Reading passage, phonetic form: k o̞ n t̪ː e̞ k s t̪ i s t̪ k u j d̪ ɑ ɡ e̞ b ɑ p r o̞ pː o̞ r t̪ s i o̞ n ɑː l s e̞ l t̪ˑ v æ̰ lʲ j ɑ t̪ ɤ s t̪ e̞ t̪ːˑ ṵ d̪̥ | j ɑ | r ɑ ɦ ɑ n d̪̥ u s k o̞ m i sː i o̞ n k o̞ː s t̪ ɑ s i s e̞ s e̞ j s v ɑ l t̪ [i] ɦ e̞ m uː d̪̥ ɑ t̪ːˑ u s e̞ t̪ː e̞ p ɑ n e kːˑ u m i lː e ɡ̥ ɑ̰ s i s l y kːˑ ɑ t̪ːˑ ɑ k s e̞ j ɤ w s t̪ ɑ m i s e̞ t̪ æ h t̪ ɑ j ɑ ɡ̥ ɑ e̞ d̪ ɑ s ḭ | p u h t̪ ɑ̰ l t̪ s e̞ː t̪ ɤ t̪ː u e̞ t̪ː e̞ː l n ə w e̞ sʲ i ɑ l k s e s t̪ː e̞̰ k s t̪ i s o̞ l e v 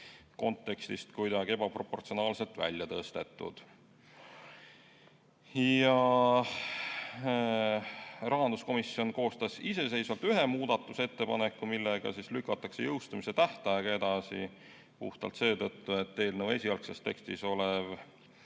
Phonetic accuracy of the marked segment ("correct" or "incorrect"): incorrect